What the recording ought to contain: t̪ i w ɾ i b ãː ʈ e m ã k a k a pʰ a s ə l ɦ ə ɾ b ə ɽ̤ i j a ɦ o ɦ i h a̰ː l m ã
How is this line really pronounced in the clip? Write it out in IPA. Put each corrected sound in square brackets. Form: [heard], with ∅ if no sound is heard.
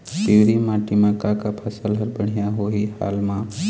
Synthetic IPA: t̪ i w ɾ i [m] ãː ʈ [i] m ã k a k a pʰ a s ə l ɦ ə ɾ b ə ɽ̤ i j a ɦ o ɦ i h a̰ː l m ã